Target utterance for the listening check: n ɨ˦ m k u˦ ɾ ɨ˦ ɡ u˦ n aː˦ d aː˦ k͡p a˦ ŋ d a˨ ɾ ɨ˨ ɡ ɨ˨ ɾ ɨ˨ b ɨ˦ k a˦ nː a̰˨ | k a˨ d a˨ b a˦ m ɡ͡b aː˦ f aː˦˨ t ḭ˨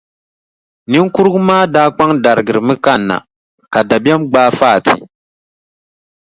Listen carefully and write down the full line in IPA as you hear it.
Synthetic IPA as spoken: n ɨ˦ ŋ k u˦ ɾ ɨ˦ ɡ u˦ m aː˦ d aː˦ k͡p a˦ ŋ d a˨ ɾ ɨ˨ ɡ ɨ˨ ɾ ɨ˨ m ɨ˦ k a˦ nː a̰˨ | k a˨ d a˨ b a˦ m ɡ͡b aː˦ f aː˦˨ t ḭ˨